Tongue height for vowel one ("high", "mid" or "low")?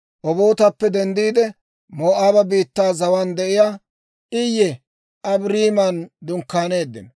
mid